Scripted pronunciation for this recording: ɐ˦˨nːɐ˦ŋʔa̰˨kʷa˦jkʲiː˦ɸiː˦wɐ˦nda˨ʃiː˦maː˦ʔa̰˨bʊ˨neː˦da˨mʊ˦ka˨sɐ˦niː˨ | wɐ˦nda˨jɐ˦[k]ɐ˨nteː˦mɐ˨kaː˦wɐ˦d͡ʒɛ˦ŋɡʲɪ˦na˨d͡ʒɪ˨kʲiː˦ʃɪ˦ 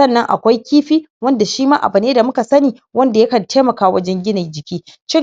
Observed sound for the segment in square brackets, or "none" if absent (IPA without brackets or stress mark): k